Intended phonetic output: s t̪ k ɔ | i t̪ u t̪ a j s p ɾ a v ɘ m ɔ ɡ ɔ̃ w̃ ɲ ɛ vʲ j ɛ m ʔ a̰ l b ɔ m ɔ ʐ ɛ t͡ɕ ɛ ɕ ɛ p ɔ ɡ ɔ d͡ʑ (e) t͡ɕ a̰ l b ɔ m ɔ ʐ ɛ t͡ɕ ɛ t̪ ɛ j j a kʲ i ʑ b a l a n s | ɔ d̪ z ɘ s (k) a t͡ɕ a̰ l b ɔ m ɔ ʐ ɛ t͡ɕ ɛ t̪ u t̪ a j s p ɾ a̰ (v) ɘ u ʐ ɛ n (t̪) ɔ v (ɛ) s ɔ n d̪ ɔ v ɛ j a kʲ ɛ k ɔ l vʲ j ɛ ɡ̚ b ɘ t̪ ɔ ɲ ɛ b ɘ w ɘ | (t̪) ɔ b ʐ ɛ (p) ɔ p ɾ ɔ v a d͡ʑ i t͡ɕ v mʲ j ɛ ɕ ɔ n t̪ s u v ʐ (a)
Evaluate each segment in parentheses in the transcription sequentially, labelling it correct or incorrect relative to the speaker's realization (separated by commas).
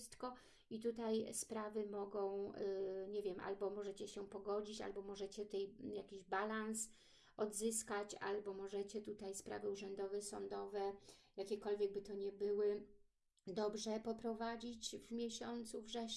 incorrect, correct, correct, incorrect, correct, incorrect, correct, incorrect